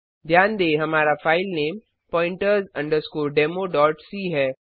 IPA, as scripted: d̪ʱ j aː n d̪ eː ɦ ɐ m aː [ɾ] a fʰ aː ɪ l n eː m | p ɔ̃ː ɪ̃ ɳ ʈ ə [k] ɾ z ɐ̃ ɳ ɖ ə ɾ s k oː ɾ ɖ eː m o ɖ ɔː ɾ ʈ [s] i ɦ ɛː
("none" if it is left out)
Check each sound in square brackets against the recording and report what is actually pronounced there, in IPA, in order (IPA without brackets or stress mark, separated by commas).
ɾ, none, s